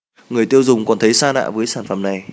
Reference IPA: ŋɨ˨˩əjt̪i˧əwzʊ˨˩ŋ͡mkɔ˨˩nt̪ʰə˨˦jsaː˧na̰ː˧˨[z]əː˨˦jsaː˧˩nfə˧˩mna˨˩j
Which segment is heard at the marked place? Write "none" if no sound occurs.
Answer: v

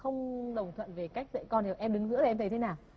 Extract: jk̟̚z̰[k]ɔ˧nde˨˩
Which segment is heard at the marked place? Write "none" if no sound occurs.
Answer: k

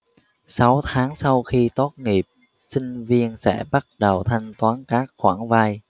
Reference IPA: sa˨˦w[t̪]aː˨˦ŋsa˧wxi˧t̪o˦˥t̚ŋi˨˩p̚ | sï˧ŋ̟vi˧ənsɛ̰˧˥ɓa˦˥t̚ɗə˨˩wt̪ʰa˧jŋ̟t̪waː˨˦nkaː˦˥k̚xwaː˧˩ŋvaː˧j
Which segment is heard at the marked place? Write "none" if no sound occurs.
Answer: t̪ʰ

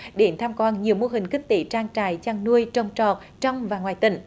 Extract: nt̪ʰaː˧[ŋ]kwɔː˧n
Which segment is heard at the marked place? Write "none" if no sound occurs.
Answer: m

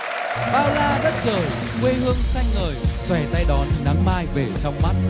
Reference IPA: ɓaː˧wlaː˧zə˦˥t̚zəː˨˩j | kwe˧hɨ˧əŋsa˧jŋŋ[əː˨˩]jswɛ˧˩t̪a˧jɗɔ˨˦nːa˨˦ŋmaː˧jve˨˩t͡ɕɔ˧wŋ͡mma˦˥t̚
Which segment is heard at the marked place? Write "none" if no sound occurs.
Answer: əː˨˩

